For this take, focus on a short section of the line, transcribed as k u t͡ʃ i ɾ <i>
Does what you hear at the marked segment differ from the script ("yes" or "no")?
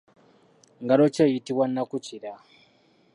yes